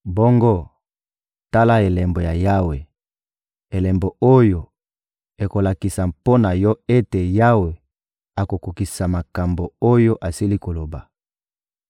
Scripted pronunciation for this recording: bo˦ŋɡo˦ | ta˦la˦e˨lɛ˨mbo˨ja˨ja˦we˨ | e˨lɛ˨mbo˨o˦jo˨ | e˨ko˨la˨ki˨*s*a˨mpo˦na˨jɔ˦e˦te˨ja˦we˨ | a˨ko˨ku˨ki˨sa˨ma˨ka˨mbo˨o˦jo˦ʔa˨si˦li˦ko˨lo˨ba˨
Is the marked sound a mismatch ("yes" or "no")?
no